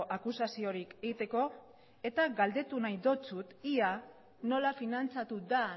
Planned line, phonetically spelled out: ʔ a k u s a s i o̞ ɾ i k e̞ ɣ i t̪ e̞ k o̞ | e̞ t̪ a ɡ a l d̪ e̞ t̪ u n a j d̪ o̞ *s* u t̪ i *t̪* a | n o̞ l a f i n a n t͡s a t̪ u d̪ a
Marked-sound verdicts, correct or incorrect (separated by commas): incorrect, incorrect